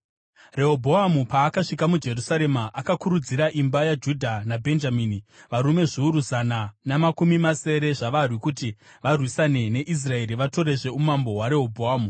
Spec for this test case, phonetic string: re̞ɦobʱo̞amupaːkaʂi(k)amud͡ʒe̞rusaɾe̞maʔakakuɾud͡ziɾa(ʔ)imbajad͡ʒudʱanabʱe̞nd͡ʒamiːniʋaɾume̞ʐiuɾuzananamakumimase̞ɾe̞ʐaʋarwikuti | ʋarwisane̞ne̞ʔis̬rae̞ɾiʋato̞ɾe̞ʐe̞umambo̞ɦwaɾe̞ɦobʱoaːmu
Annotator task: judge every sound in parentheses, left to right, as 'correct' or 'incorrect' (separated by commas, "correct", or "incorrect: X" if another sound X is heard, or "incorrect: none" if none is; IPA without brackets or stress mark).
correct, correct